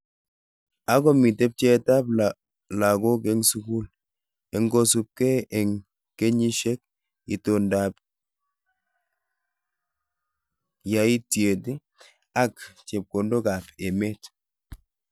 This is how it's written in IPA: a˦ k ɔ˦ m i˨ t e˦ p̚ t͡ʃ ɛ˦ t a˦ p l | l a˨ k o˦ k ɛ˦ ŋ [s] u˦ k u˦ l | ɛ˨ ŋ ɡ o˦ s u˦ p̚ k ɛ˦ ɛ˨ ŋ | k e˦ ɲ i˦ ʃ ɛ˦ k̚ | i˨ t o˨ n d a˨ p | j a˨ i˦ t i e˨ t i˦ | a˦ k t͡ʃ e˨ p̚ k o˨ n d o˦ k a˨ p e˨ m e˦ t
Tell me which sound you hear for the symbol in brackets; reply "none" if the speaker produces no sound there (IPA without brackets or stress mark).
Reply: s